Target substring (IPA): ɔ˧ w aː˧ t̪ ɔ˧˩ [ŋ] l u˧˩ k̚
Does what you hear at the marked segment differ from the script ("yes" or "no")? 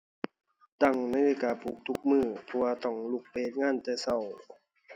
no